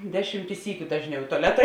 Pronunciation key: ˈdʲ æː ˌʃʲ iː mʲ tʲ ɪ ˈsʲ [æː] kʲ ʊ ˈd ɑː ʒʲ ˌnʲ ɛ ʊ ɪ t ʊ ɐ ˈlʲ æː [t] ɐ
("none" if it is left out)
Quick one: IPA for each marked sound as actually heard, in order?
iː, t

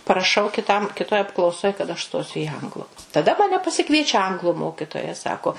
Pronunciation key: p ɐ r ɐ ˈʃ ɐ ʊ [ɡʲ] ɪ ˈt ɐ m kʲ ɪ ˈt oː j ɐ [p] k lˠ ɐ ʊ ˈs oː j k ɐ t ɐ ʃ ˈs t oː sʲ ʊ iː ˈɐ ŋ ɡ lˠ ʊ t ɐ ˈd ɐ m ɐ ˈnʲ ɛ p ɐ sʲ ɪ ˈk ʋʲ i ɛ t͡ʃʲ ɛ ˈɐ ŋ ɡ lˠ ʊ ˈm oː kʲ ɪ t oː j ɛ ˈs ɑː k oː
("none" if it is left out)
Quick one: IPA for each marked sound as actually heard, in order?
kʲ, p

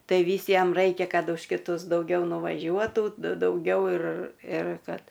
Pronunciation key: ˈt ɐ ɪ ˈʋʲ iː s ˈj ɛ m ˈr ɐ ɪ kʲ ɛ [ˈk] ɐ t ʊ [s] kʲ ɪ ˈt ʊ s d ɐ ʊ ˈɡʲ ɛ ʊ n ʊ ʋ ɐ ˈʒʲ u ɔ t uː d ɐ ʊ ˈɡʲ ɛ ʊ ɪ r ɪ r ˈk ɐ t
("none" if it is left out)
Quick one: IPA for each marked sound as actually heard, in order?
k, ʃ

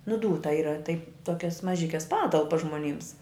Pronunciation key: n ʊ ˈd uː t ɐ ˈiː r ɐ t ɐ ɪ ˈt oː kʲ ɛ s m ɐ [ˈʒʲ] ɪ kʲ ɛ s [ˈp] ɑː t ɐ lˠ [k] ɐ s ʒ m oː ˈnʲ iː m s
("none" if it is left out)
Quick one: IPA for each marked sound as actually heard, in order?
ʒʲ, p, p

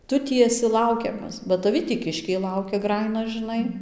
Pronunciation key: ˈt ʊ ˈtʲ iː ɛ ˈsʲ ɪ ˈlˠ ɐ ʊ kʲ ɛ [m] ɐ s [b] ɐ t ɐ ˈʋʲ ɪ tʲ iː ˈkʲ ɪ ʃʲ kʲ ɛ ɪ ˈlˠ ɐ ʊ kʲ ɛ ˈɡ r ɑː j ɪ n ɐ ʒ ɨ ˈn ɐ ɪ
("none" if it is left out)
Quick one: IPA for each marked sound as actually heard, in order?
m, b

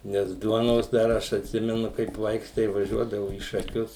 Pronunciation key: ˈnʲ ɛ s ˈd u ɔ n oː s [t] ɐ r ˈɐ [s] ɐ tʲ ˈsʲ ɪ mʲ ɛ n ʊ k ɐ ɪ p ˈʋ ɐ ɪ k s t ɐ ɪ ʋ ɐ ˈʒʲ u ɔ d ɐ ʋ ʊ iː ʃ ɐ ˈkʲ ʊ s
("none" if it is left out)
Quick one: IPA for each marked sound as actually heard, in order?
d, ʃ

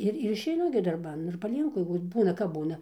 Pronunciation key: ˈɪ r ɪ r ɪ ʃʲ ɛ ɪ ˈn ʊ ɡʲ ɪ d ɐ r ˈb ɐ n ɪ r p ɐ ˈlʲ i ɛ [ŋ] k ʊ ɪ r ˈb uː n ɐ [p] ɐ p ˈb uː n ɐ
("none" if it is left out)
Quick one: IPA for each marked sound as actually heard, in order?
ŋ, k

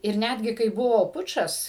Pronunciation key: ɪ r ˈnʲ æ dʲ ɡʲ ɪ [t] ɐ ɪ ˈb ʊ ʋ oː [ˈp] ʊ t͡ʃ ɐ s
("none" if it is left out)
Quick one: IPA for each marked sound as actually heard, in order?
k, p

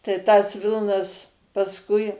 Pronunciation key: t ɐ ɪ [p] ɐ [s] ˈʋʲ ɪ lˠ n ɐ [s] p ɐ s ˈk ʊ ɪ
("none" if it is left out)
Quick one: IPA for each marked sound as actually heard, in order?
t, s, s

